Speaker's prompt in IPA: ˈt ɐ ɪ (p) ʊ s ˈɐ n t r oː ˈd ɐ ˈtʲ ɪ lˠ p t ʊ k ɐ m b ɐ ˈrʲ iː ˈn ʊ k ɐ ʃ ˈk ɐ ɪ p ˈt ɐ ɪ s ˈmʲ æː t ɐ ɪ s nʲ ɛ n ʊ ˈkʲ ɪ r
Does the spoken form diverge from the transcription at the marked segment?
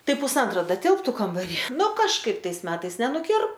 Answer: no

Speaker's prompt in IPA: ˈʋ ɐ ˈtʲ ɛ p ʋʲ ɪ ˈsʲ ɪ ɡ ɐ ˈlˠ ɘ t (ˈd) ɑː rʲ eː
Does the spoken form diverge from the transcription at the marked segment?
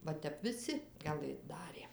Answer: no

